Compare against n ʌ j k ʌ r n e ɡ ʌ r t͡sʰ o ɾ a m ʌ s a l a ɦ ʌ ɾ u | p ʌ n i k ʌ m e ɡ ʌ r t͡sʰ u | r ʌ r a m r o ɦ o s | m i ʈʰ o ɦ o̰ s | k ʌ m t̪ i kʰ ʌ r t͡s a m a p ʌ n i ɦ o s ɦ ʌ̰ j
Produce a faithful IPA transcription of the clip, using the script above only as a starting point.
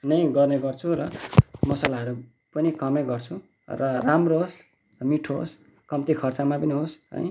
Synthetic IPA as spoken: n ʌ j ɡ ʌ r n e ɡ ʌ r t͡sʰ u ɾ ʌ m ʌ s a l a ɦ ʌ ɾ u | p ʌ n i k ʌ m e ɡ ʌ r t͡sʰ u | r ʌ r a m r o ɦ o s | m i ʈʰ o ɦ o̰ s | k ʌ m t̪ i kʰ ʌ r t͡s a m a p ʌ n i ɦ o s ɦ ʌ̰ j